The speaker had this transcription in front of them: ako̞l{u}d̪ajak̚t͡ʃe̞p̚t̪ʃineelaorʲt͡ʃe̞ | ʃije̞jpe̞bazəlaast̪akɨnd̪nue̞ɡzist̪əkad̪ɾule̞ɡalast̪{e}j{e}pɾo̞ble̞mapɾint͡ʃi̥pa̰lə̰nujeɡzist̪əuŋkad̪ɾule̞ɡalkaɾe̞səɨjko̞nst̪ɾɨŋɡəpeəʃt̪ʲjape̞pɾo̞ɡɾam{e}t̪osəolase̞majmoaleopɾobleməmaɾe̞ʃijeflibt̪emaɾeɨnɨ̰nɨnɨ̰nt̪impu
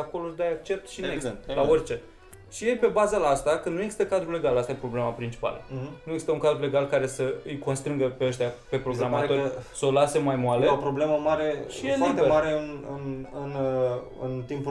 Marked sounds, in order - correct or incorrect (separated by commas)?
incorrect, incorrect, correct, incorrect